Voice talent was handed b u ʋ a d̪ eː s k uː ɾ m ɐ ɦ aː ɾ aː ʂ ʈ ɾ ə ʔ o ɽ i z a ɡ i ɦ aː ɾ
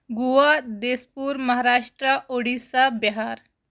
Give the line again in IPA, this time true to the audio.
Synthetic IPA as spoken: ɡ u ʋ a d̪ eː s p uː ɾ m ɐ ɦ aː ɾ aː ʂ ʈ ɾ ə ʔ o ɽ i s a b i ɦ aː ɾ